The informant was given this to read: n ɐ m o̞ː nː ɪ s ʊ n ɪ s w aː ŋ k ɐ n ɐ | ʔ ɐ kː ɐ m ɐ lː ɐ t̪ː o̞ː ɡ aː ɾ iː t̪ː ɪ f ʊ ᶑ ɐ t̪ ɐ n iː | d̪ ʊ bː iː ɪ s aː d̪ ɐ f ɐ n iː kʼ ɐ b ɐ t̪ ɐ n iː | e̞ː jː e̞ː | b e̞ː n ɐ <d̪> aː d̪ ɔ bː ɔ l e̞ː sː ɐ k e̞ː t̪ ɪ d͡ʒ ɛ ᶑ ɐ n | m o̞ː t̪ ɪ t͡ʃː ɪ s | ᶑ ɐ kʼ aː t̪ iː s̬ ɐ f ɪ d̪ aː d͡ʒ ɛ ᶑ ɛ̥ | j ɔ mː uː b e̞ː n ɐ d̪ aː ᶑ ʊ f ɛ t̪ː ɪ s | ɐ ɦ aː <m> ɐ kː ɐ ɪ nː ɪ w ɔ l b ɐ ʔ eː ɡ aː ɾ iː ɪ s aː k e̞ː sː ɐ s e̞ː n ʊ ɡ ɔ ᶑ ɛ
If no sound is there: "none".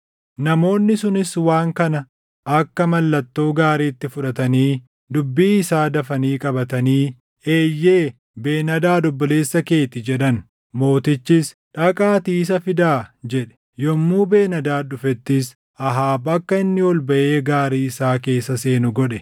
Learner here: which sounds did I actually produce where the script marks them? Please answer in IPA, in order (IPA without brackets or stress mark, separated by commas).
d̪, b